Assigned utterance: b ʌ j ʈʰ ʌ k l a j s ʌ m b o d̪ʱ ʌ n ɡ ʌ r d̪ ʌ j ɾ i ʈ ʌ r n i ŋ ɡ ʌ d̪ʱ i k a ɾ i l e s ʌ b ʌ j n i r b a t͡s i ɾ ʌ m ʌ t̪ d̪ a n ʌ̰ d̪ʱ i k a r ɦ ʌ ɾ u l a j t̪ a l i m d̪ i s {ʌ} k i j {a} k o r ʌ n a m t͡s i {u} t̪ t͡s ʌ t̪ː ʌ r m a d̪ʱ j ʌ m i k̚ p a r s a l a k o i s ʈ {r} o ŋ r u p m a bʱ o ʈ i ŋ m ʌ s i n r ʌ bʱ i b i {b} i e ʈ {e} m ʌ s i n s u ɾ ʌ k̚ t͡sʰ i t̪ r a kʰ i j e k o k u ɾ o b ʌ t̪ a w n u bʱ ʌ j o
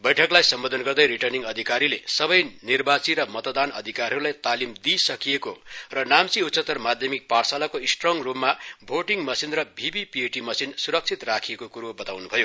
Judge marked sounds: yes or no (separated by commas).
yes, no, yes, yes, no, no